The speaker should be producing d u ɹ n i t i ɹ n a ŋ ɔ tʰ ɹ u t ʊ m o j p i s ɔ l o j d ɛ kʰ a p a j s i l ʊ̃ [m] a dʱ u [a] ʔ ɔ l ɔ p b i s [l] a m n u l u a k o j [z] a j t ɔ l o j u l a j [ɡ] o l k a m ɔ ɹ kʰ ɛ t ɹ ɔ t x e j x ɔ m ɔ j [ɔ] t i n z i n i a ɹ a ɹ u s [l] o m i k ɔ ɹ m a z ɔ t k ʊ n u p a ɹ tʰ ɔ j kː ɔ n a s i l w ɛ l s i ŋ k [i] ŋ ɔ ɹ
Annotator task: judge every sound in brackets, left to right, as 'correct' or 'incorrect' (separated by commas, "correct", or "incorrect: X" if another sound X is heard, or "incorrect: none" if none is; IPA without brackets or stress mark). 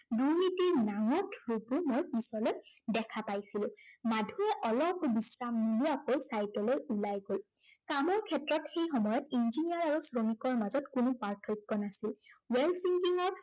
correct, incorrect: ɛ, incorrect: ɹ, incorrect: s, correct, correct, incorrect: ɹ, correct